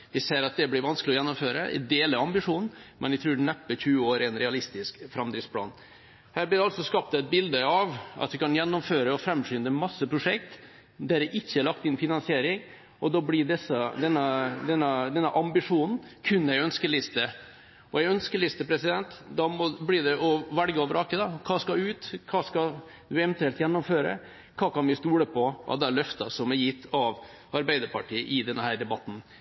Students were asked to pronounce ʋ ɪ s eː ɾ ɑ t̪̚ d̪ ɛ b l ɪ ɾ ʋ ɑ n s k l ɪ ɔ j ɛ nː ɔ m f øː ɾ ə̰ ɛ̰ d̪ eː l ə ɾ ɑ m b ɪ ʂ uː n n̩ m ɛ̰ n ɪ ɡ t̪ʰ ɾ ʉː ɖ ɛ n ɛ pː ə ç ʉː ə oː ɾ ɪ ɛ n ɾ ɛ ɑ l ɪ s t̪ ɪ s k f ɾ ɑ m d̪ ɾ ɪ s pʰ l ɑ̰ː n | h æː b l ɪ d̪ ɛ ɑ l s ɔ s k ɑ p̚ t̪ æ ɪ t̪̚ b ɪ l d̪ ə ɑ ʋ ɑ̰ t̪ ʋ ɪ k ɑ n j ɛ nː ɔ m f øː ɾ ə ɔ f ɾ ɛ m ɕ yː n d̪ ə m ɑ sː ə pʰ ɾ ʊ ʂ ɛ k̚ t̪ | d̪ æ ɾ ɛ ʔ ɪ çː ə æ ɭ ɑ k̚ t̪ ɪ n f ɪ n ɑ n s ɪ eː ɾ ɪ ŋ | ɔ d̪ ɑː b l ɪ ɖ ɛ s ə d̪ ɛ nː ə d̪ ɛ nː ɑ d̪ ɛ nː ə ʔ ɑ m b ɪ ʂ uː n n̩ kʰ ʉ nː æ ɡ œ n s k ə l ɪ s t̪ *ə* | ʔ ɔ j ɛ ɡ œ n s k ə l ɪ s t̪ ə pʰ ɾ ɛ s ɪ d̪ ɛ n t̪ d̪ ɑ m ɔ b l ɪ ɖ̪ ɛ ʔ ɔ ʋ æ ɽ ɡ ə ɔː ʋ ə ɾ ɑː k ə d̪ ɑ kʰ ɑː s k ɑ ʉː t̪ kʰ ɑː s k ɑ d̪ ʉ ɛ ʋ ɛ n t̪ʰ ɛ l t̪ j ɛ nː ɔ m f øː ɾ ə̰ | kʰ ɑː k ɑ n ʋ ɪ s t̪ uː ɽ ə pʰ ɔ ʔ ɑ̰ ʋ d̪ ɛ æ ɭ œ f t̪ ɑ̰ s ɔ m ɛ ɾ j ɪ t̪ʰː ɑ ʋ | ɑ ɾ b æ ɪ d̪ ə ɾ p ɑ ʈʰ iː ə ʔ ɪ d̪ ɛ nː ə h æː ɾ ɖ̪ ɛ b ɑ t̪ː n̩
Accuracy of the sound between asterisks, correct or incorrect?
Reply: correct